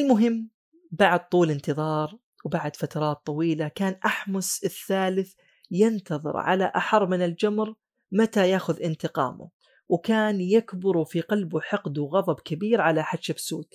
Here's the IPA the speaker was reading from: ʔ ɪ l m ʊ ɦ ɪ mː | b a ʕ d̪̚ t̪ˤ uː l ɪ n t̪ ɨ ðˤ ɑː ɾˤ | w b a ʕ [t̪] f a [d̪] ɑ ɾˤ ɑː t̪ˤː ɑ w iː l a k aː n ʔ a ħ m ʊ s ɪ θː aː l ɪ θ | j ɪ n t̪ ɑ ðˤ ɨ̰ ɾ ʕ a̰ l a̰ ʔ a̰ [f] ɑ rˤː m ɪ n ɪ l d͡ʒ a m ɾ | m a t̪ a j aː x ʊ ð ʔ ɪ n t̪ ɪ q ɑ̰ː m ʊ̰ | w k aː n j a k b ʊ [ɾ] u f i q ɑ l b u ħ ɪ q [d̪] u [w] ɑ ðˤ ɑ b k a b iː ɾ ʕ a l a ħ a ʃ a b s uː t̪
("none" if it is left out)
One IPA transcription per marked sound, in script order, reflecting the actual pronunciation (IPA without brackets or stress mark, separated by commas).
d̪, t̪, ħ, ɾ, d̪, ɣ